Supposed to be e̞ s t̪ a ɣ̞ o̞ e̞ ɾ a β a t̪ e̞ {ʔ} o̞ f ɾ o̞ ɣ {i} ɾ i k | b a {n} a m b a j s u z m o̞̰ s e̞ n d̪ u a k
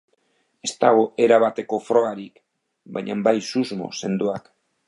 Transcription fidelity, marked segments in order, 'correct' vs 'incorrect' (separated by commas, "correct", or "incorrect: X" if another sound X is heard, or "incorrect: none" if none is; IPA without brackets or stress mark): incorrect: k, incorrect: a, incorrect: ɲ